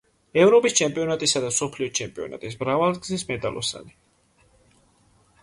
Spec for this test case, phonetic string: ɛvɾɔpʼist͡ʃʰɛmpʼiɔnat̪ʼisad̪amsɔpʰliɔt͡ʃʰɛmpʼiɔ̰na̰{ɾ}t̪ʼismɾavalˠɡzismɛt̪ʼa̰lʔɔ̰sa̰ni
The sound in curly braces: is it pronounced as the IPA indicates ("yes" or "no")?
no